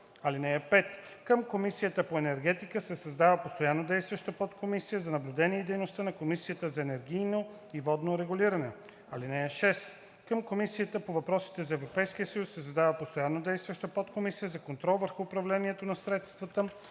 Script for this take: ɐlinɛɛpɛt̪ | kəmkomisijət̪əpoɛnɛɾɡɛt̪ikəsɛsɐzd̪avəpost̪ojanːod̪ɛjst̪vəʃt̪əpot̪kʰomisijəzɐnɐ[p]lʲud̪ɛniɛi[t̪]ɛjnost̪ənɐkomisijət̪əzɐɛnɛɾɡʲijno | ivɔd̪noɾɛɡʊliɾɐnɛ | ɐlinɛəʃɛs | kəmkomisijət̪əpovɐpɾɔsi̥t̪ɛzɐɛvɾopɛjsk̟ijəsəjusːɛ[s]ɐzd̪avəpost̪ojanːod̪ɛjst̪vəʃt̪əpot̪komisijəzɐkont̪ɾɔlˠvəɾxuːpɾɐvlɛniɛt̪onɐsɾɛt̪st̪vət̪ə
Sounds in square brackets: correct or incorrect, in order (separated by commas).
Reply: incorrect, incorrect, correct